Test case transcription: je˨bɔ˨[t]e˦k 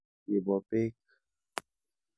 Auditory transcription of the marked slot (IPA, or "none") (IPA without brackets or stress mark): p